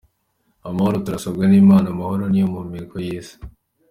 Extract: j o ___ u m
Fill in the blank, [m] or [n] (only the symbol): m